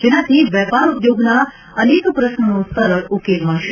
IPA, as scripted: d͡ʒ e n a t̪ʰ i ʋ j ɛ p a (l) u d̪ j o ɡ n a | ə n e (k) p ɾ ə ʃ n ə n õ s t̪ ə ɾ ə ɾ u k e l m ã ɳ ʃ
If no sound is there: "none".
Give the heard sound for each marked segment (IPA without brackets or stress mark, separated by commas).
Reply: ɾ, k